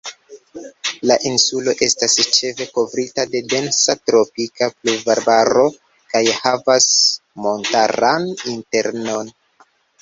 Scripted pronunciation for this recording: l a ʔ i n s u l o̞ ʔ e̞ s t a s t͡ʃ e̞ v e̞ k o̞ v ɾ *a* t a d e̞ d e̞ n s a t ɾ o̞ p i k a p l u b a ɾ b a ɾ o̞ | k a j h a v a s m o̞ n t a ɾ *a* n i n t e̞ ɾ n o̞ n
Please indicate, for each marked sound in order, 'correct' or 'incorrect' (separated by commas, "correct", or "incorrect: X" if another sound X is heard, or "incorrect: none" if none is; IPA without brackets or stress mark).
incorrect: i, correct